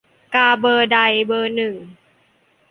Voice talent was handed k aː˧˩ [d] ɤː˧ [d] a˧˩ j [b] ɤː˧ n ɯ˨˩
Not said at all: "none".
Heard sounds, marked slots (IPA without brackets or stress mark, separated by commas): b, d, b